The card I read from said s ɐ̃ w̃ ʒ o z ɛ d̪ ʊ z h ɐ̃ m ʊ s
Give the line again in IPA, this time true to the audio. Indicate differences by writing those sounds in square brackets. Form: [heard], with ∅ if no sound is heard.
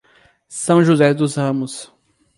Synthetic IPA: s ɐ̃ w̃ ʒ [u] z ɛ d̪ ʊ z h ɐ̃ m ʊ s